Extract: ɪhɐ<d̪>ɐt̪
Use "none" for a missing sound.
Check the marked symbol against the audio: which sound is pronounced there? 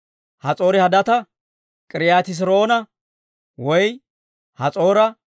d̪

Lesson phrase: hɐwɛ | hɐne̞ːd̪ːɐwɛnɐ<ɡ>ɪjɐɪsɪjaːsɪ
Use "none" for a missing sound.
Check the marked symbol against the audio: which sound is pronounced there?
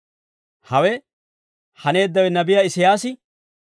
b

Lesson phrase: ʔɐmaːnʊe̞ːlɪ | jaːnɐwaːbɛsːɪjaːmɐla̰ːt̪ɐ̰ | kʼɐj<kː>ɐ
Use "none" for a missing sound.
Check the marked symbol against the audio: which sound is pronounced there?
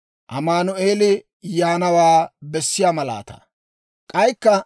kː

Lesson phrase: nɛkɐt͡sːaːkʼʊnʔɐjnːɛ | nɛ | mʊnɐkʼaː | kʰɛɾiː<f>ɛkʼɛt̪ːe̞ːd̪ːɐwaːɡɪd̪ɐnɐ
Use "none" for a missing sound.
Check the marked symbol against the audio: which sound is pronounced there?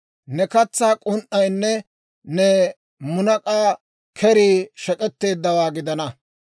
ʃ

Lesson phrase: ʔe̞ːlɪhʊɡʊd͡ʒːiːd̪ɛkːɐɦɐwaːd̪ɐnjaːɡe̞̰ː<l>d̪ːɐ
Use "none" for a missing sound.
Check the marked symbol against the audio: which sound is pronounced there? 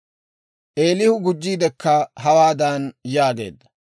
none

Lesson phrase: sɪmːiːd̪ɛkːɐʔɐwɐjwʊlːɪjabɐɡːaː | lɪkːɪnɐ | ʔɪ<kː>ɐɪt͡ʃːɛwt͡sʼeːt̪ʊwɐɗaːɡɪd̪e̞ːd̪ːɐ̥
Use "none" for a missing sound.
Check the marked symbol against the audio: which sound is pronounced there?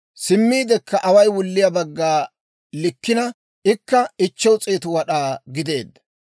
kː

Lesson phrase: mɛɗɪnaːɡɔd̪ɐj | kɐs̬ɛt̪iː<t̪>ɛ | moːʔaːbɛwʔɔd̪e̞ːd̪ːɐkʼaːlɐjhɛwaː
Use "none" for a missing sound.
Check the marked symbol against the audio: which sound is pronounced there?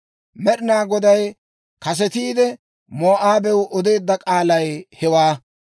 d̪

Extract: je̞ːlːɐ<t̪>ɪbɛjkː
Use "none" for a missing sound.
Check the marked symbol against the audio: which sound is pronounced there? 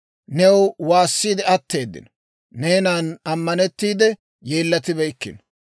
t̪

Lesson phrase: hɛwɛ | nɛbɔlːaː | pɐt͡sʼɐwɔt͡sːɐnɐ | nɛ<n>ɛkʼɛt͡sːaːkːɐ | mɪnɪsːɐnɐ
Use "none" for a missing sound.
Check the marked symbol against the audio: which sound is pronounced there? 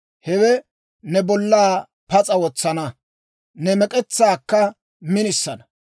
m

